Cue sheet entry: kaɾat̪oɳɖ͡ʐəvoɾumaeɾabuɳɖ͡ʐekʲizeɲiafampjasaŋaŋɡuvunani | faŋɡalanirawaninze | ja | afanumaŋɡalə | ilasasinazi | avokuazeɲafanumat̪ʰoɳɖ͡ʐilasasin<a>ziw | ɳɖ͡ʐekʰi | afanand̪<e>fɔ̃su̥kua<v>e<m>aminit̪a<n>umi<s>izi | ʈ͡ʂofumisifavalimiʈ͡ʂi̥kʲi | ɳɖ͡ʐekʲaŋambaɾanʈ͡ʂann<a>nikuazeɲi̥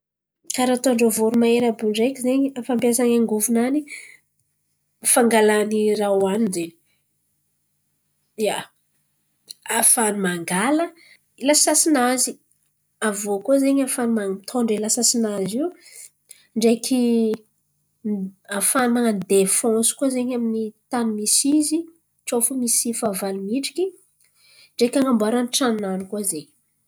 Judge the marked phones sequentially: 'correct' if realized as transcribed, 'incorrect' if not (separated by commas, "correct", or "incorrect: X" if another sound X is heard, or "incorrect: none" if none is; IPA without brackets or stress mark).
correct, correct, incorrect: z, incorrect: ɲ, correct, correct, correct